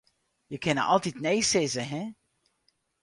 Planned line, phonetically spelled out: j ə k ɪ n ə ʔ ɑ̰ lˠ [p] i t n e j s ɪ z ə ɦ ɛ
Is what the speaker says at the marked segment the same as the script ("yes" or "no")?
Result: no